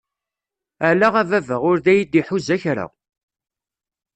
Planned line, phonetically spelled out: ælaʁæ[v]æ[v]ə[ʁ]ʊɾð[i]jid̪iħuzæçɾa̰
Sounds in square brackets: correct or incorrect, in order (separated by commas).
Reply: correct, correct, correct, incorrect